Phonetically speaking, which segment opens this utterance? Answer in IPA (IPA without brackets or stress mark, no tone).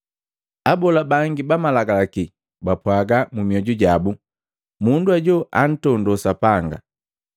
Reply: a